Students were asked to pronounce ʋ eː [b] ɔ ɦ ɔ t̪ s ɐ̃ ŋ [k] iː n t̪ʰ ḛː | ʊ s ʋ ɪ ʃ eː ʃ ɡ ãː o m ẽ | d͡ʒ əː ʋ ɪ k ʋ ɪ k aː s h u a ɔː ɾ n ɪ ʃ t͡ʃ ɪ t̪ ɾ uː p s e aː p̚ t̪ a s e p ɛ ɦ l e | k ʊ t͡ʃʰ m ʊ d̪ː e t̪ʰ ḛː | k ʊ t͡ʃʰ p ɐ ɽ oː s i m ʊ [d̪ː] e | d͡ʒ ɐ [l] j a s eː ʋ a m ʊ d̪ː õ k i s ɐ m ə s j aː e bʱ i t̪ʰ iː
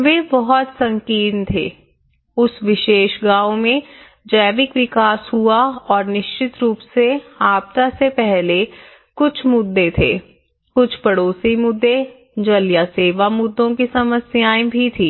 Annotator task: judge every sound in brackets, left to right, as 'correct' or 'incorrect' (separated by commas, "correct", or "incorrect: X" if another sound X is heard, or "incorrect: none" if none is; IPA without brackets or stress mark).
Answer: correct, correct, correct, correct